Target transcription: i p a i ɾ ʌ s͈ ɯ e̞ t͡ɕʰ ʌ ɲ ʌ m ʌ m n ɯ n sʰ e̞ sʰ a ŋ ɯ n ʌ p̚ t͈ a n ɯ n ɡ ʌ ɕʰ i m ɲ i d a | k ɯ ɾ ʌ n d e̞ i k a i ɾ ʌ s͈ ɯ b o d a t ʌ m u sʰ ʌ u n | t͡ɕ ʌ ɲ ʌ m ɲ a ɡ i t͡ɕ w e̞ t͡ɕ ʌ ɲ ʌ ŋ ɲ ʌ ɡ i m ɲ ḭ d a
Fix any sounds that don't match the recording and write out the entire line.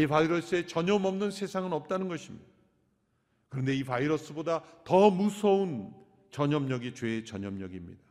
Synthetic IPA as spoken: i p a i ɾ ʌ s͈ ɯ e̞ t͡ɕ ʌ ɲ ʌ m ʌ m n ɯ n sʰ e̞ sʰ a ŋ ɯ n ʌ p̚ t͈ a n ɯ n ɡ ʌ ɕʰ i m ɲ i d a | k ɯ ɾ ʌ n d e̞ i p a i ɾ ʌ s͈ ɯ b o d a t ʌ m u sʰ ʌ u n | t͡ɕ ʌ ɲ ʌ m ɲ ʌ ɡ i t͡ɕ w e̞ t͡ɕ ʌ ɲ ʌ m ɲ ʌ ɡ i m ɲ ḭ d a